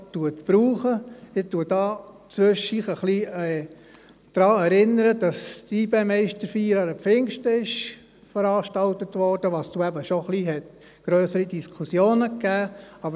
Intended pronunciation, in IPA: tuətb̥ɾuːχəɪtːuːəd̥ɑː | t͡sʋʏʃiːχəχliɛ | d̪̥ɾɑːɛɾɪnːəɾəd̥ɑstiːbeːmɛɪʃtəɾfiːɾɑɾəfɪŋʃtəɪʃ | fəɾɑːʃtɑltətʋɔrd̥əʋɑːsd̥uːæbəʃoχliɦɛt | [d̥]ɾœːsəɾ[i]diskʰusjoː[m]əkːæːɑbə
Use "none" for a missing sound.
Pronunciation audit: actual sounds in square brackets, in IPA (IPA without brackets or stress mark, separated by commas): ɡ̥, i, n